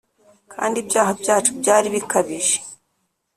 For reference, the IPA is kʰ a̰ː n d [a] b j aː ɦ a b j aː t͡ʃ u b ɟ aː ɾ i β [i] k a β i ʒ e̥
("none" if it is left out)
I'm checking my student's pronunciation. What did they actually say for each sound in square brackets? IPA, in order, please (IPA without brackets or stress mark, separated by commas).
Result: i, i